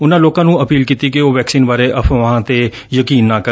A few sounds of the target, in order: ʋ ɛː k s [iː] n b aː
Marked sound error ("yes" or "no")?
no